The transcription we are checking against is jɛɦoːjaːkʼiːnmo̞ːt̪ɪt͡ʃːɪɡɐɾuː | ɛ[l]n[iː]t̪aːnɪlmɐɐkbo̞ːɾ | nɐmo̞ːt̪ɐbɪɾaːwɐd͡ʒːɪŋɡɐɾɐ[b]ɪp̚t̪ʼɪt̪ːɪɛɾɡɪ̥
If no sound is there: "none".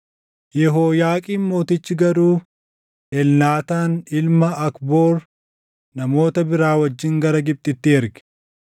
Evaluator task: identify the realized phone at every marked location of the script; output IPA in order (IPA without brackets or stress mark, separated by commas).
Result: l, aː, ɡ